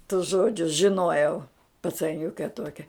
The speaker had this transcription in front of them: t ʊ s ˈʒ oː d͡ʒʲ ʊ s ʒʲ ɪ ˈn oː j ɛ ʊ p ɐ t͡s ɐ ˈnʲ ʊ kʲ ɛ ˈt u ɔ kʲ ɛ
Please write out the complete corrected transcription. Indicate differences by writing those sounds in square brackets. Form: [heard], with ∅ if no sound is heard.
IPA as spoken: t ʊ s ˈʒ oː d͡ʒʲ ʊ s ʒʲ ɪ ˈn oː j ɛ ʊ p ɐ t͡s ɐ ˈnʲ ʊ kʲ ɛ ˈt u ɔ kʲ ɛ